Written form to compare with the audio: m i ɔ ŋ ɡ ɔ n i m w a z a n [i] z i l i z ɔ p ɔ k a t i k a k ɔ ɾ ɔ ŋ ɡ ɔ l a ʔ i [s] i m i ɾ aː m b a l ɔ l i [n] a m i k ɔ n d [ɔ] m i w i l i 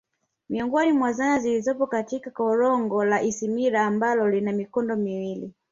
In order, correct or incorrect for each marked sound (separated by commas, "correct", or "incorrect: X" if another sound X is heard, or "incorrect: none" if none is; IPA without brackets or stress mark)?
incorrect: a, correct, correct, correct